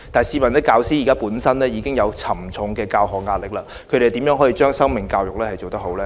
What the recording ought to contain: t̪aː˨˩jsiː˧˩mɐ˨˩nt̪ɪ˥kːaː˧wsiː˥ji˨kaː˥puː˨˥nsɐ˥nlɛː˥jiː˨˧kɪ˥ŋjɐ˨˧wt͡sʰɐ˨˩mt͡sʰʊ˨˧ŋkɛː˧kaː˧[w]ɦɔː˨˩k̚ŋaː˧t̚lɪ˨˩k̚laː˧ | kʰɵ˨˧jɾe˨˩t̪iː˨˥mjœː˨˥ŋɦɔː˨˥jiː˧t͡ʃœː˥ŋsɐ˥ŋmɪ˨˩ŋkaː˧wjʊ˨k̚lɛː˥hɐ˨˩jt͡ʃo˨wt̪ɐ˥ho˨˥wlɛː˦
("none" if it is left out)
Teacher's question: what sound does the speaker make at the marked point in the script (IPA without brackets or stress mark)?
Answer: w